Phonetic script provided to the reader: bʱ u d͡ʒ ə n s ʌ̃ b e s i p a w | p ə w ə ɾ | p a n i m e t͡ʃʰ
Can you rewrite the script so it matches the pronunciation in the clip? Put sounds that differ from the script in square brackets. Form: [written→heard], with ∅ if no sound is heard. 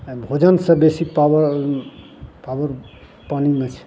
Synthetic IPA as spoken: bʱ [u→o] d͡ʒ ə n s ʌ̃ b e s i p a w | p [ə→a] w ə ɾ | p a n i m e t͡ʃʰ